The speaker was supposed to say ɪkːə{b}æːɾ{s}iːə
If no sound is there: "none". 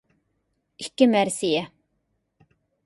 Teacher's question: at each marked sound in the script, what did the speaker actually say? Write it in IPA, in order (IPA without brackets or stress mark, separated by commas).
m, s